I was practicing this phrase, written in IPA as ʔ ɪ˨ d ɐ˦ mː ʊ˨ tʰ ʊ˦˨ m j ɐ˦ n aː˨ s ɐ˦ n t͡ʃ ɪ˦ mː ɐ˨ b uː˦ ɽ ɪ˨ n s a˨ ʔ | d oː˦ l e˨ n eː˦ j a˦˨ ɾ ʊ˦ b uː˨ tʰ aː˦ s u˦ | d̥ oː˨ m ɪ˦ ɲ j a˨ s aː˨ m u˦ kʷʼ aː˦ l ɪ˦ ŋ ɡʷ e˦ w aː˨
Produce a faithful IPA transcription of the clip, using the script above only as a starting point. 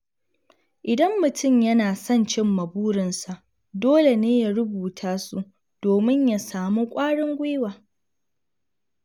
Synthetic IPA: ʔ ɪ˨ d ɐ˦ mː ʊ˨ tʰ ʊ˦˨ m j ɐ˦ n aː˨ s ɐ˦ n t͡ʃ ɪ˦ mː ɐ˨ b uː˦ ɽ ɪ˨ n s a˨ ʔ | d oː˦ l e˨ n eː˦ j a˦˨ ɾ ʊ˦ b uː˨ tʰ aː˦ s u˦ | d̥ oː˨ m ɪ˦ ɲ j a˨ s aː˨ m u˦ kʷʼ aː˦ ɽ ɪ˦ ŋ ɡʷ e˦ w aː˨